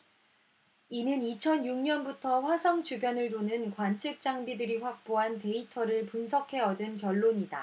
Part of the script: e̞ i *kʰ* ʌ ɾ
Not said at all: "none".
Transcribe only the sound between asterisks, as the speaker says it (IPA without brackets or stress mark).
tʰ